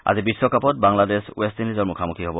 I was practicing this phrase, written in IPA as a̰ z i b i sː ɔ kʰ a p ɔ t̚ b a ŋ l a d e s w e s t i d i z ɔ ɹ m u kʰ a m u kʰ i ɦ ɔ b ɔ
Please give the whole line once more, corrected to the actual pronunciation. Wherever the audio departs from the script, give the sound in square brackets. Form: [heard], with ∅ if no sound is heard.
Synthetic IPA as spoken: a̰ z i b i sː ɔ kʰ a p ɔ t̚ b a ŋ l a d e s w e s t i [n] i z ɔ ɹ m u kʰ a m u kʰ i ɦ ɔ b ɔ